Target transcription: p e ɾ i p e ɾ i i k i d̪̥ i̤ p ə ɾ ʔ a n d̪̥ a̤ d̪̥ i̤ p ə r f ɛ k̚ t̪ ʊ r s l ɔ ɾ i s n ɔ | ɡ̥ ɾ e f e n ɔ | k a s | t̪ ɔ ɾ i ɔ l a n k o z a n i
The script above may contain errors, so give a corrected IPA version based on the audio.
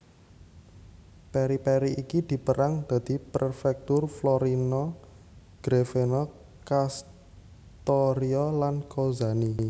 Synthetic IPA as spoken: p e ɾ i p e ɾ i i k i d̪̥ i̤ p ə ɾ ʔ a ŋ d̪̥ a̤ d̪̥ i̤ p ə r f ɛ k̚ t̪ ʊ r f l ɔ ɾ i n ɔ | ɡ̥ ɾ e f e n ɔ | k a s | t̪ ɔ ɾ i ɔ l a n k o z a n i